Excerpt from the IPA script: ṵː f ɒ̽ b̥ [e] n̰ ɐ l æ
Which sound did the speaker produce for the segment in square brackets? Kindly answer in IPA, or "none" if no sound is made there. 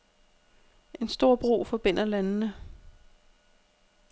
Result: e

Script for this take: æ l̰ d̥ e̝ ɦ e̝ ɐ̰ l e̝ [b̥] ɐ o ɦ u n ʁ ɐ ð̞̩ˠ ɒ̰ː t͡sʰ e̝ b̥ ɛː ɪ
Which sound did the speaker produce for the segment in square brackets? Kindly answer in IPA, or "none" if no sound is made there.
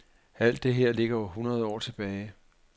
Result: ɡ̥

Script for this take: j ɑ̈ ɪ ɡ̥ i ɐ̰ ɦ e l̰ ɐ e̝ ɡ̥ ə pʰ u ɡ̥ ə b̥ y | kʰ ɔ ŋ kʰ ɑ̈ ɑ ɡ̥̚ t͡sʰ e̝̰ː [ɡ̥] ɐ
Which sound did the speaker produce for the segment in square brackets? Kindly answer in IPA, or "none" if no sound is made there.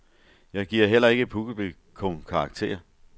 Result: none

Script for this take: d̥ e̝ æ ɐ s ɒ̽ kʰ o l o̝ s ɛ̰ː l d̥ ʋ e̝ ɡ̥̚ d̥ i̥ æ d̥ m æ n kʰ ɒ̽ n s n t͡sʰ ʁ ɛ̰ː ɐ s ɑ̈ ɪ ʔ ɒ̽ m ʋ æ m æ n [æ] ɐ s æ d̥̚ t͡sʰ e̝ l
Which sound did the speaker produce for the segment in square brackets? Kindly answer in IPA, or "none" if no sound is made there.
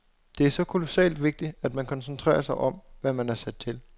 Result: æ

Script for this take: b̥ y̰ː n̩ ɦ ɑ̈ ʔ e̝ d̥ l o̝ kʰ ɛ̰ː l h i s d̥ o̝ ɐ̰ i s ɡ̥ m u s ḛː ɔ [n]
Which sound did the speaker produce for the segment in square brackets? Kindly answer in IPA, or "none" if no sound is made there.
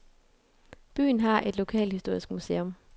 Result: m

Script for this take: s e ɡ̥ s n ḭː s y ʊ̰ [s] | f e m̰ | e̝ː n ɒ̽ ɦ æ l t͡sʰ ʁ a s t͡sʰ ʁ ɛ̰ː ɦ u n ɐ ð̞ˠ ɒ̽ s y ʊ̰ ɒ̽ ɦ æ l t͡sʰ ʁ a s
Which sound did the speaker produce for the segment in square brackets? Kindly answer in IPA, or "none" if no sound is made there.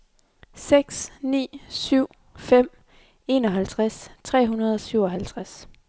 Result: none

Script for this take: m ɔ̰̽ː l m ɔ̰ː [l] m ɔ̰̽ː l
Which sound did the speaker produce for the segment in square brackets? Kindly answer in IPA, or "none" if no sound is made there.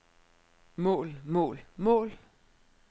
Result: l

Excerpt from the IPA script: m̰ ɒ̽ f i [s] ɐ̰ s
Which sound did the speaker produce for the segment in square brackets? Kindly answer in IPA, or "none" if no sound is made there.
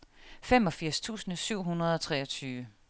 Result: none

